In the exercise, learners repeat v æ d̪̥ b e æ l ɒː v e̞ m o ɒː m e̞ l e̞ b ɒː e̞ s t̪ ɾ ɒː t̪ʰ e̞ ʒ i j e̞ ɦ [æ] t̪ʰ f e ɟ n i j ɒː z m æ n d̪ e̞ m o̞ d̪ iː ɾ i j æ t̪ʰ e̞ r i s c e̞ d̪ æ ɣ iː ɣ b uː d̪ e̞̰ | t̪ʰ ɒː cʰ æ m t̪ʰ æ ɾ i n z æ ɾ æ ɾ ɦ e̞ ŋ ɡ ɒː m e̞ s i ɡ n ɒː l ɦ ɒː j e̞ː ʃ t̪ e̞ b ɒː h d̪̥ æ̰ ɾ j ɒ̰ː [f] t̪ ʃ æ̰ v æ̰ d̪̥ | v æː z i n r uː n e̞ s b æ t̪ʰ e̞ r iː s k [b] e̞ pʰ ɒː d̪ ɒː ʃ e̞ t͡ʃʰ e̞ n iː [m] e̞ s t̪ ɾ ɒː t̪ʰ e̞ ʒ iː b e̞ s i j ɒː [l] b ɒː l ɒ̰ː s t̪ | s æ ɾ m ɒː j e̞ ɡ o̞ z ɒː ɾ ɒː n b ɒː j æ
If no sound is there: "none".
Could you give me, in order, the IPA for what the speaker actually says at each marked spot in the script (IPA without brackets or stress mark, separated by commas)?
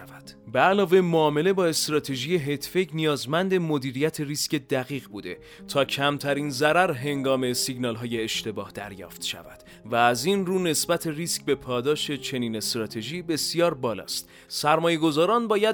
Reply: e, f, b, n, ɾ